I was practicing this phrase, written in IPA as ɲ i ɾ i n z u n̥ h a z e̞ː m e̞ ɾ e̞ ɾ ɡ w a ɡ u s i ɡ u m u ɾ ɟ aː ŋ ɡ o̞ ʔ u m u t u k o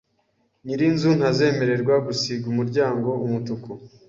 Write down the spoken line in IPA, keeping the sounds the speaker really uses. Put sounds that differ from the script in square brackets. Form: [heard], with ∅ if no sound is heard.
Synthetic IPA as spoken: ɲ i ɾ i n z u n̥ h a z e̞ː m e̞ ɾ e̞ ɾ ɡ w a ɡ u s i ɡ u m u ɾ ɟ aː ŋ ɡ o̞ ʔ u m u t u k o